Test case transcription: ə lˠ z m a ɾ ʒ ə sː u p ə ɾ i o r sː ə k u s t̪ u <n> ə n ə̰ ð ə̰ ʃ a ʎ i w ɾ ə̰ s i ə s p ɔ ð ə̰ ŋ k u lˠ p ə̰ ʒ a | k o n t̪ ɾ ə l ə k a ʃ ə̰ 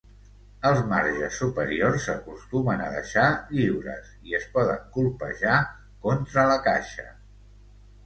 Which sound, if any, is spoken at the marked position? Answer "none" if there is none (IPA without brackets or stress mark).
m